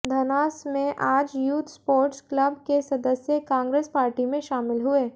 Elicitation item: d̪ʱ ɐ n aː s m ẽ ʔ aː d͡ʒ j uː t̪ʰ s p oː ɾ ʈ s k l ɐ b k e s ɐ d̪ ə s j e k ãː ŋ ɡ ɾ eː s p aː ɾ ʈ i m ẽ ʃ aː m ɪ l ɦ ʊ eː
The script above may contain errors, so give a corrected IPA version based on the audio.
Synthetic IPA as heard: d̪ʱ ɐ n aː s m ẽ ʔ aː d͡ʒ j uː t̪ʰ s p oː ɾ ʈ s k l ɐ b k e s ɐ d̪ ə s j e k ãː ŋ ɡ ɾ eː s p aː ɾ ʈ i m ẽ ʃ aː m ɪ l ɦ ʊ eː